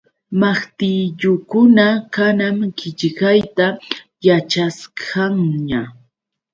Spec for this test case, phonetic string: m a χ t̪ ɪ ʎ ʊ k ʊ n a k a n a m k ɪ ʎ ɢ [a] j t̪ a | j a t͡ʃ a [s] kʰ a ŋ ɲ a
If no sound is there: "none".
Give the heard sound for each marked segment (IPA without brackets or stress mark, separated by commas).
a, s